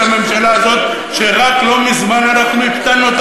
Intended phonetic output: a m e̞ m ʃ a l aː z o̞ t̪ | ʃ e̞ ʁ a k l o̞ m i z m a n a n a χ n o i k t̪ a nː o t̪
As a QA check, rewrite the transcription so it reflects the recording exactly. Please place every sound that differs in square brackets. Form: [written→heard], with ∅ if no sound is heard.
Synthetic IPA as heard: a m e̞ m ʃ a l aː z o̞ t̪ | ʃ e̞ ʁ a k l o̞ m i z m a n a n a χ n [o→u] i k t̪ a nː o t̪